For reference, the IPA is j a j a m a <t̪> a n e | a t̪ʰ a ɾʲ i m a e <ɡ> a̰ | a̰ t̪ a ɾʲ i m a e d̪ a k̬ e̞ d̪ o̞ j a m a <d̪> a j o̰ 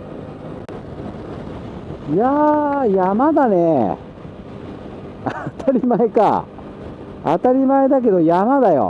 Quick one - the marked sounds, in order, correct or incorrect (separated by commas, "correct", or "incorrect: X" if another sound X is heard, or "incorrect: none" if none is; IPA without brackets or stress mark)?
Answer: incorrect: d̪, incorrect: k, correct